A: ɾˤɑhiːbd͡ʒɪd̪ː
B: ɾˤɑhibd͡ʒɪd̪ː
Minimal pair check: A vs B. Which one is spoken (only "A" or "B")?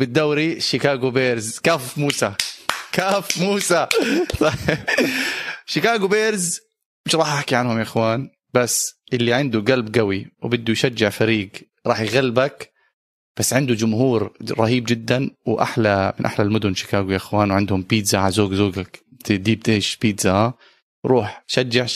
A